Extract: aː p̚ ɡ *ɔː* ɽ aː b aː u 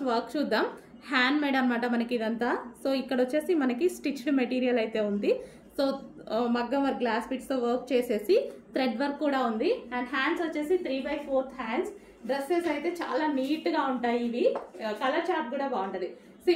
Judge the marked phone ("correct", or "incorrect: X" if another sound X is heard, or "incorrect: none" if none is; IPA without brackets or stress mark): incorrect: uː